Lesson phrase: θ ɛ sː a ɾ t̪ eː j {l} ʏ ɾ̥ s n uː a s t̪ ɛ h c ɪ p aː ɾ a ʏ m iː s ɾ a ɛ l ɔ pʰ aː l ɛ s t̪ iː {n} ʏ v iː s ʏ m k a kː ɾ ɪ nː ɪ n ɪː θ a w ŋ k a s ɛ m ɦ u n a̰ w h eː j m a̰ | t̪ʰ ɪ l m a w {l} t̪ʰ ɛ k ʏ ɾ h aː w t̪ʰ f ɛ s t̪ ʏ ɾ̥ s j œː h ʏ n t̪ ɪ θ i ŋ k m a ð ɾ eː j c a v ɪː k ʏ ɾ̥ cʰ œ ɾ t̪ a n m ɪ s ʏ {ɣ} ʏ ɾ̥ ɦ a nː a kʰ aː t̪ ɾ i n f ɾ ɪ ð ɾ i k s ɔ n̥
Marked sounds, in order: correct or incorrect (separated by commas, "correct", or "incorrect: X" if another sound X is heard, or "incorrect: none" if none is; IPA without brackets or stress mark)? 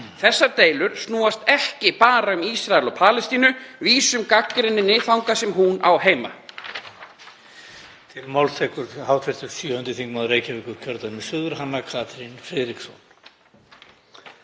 correct, correct, correct, incorrect: ð